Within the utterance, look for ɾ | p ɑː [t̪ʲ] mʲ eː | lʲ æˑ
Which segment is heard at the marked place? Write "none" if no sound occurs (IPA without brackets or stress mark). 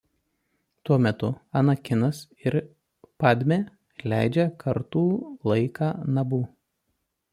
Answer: d̪ʲ